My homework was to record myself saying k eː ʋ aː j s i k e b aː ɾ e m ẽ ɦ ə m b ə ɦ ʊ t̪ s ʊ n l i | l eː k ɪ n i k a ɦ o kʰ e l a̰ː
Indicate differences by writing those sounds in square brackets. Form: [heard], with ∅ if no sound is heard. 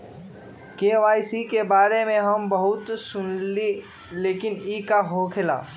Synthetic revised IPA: k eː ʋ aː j s i k e b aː ɾ e m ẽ ɦ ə m b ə ɦ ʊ t̪ s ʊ n l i | l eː k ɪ n i k a ɦ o kʰ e l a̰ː